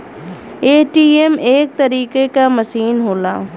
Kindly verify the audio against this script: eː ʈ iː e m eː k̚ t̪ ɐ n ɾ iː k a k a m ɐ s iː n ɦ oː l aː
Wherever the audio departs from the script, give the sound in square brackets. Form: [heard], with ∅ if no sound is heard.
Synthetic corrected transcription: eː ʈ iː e m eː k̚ t̪ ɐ [∅] ɾ iː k [e] k a m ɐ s iː n ɦ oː l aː